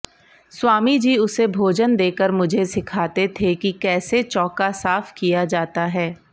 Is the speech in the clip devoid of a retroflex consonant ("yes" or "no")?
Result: yes